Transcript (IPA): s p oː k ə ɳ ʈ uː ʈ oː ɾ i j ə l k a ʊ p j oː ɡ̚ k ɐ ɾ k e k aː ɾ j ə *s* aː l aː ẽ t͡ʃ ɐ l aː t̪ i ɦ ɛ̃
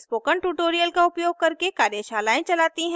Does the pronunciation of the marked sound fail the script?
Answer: yes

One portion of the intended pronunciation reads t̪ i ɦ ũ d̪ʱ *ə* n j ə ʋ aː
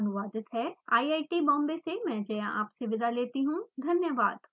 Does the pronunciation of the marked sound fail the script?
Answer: yes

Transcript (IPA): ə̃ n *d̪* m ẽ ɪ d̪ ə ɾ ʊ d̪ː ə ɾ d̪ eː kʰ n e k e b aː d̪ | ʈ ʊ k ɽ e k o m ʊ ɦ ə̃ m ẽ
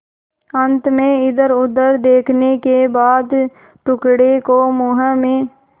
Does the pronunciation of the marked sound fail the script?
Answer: yes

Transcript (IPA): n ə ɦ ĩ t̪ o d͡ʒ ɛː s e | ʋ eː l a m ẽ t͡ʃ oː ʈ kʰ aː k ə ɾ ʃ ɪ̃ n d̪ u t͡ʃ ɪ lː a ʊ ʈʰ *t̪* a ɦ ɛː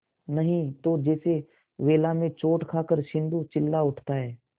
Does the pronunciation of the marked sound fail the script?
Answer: no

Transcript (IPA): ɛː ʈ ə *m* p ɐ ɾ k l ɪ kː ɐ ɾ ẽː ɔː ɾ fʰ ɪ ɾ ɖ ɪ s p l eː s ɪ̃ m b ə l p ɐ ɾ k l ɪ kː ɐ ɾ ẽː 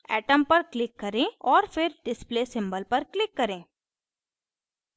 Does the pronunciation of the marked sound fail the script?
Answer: no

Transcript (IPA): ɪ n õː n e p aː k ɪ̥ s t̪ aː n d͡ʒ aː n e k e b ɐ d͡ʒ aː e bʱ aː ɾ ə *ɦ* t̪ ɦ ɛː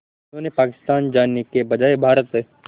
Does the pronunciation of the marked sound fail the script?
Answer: yes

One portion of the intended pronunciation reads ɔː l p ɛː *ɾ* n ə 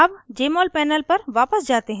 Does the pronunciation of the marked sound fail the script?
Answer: yes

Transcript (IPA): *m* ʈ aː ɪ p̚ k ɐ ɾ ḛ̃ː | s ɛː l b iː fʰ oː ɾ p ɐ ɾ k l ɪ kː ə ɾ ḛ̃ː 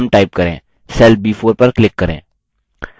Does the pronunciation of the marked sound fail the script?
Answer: no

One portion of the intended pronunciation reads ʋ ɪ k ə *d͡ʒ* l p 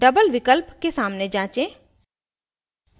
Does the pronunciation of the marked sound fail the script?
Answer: yes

